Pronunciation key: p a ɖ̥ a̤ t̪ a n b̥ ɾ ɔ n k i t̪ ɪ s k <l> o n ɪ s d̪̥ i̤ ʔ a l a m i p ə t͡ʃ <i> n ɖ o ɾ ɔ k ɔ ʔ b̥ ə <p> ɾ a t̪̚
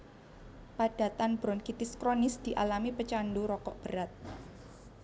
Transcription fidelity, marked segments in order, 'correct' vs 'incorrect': incorrect, incorrect, incorrect

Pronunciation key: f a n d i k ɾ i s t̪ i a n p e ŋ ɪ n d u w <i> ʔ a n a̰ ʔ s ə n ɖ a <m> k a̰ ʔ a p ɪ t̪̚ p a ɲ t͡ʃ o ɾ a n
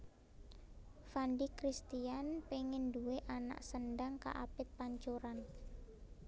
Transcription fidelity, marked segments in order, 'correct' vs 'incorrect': incorrect, incorrect

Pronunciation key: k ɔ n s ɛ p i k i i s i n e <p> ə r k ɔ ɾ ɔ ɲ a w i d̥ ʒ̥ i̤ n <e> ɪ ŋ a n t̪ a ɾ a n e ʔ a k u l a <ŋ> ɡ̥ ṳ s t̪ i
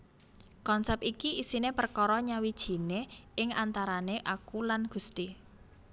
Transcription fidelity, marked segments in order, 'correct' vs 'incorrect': correct, correct, incorrect

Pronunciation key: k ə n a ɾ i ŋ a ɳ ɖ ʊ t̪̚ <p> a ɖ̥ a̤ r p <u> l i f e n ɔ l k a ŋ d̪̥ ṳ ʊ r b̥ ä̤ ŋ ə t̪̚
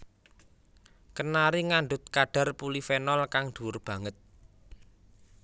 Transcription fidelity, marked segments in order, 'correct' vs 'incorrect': incorrect, correct

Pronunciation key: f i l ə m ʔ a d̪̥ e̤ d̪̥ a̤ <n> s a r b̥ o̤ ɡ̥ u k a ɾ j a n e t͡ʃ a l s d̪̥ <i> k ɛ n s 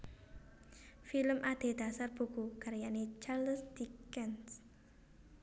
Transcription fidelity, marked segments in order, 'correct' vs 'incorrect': incorrect, correct

